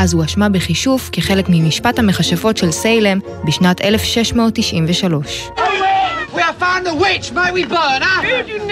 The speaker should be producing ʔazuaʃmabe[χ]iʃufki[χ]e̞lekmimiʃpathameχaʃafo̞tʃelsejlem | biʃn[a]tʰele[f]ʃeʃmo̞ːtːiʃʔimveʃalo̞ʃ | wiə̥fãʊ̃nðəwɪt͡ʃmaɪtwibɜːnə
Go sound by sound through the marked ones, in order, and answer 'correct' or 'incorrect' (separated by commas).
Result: correct, correct, correct, correct